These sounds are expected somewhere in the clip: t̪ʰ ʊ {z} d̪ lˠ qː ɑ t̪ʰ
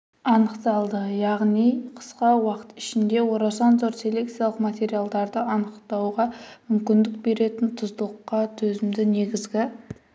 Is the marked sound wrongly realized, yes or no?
no